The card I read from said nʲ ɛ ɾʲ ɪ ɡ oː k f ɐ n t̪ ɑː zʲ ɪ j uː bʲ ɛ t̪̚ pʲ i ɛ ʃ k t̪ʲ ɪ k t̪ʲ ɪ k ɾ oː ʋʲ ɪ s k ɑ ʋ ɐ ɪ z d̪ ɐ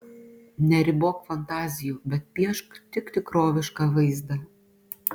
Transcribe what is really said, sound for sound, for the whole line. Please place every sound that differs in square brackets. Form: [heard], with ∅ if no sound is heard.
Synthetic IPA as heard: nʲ ɛ ɾʲ ɪ [b] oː k f ɐ n t̪ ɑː zʲ ɪ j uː bʲ ɛ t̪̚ pʲ i ɛ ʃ k t̪ʲ ɪ k t̪ʲ ɪ k ɾ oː ʋʲ ɪ [ʃ] k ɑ ʋ ɐ ɪ z d̪ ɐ